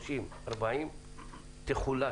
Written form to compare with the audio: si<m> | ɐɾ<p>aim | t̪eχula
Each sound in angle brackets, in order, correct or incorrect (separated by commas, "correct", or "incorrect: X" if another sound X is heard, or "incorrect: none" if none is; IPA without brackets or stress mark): correct, incorrect: b